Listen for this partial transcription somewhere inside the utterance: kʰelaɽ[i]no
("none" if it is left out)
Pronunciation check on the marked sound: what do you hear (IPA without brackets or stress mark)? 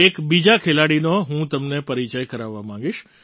i